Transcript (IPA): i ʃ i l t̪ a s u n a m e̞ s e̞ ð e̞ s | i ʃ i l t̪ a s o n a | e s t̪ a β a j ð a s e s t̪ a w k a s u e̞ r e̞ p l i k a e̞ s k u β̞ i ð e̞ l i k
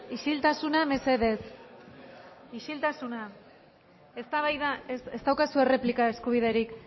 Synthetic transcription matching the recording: i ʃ i l t̪ a s u n a m e̞ s e̞ ð e̞ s | i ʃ i l t̪ a s u n a | e s t̪ a β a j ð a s e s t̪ a w k a s u e̞ r e̞ p l i k a e̞ s k u β̞ i ð e̞ ɾ i k

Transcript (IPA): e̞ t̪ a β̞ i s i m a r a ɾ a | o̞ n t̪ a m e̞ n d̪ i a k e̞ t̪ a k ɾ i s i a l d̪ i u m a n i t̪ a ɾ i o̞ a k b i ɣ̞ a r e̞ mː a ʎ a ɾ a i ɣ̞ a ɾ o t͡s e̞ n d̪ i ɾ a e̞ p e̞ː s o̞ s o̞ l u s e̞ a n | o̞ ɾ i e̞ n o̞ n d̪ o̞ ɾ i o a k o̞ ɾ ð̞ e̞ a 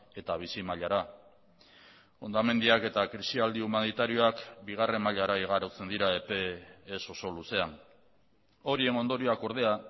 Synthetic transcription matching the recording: e̞ t̪ a β̞ i s i m a ʎ a ɾ a | o̞ n d̪ a m e̞ n d̪ i a k e̞ t̪ a k ɾ i s i a l d̪ i u m a n i t̪ a ɾ i o̞ a k b i ɣ̞ a r e̞ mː a ʎ a ɾ a i ɣ̞ a ɾ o t͡s e̞ n d̪ i ɾ a e̞ p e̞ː s o̞ s o̞ l u s e̞ a n | o̞ ɾ i e̞ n o̞ n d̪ o̞ ɾ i o a k o̞ ɾ ð̞ e̞ a

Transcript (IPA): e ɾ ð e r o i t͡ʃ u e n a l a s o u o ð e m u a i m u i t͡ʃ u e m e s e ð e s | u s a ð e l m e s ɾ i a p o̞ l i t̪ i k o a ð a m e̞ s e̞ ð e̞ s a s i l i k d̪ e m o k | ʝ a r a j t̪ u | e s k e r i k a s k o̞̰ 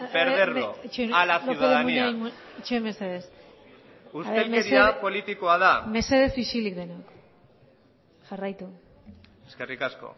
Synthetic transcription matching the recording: e ɾ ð e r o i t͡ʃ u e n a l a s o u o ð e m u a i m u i t͡ʃ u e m e s e ð e s | u s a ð e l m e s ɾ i a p o̞ l i t̪ i k o a ð a m e̞ s e̞ ð e̞ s i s i l i k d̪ e n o k | ʝ a r a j t̪ u | e s k e r i k a s k o̞̰

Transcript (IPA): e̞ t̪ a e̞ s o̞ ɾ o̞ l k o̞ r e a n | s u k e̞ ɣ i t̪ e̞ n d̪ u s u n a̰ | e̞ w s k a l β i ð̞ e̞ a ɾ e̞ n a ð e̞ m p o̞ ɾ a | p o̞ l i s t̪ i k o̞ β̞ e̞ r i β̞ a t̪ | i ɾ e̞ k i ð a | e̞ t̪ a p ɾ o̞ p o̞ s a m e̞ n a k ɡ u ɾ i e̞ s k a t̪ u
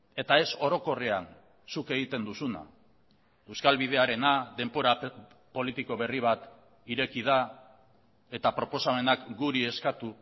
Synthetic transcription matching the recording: e̞ t̪ a e̞ s o̞ ɾ o̞ k o̞ r e a n | s u k e̞ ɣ i t̪ e̞ n d̪ u s u n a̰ | e̞ w s k a l β i ð̞ e̞ a ɾ e̞ n a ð e̞ m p o̞ ɾ a | p o̞ l i t̪ i k o̞ β̞ e̞ r i β̞ a t̪ | i ɾ e̞ k i ð a | e̞ t̪ a p ɾ o̞ p o̞ s a m e̞ n a k ɡ u ɾ i e̞ s k a t̪ u

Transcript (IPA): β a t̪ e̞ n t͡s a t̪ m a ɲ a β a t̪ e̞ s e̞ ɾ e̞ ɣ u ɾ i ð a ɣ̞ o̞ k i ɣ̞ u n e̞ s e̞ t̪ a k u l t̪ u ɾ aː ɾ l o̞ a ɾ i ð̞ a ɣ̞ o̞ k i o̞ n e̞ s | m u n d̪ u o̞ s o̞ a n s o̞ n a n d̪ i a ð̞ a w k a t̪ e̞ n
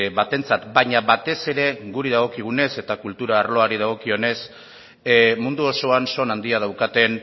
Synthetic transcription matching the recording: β a t̪ e̞ n t͡s a t̪ b a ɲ a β a t̪ e̞ s e̞ ɾ e̞ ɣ u ɾ i ð a ɣ̞ o̞ k i ɣ̞ u n e̞ s e̞ t̪ a k u l t̪ u ɾ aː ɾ l o̞ a ɾ i ð̞ a ɣ̞ o̞ k i o̞ n e̞ s | m u n d̪ u o̞ s o̞ a n s o̞ n a n d̪ i a ð̞ a w k a t̪ e̞ n

